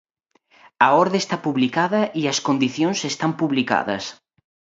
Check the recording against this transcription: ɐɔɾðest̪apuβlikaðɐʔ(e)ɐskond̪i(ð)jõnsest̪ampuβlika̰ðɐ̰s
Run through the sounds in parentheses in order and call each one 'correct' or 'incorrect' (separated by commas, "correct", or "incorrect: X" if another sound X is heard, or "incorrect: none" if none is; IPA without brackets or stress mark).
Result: incorrect: i, incorrect: θ